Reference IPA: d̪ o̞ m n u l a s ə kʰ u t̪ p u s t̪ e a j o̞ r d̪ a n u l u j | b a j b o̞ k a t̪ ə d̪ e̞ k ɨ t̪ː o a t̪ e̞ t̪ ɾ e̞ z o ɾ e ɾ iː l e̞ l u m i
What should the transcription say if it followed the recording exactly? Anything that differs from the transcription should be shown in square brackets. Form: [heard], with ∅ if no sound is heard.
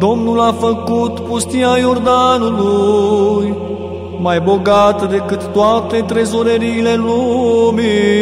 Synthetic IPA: d̪ o̞ m n u l a [f] ə [k] u t̪ p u s t̪ [i] a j o̞ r d̪ a n u l u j | [m] a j b o̞ [ɡ] a t̪ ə d̪ e̞ k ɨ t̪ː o a t̪ e̞ t̪ ɾ e̞ z o ɾ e ɾ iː l e̞ l u m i